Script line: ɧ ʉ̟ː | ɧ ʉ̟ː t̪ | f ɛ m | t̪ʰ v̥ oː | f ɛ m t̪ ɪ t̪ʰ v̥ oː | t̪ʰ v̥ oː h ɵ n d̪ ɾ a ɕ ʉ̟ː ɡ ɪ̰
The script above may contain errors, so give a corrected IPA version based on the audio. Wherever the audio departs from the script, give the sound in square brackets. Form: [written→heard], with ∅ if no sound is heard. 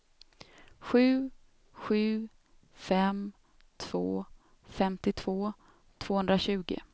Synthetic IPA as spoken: ɧ ʉ̟ː | ɧ ʉ̟ː [t̪→∅] | f ɛ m | t̪ʰ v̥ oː | f ɛ m t̪ ɪ t̪ʰ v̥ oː | t̪ʰ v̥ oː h ɵ n d̪ ɾ a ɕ ʉ̟ː ɡ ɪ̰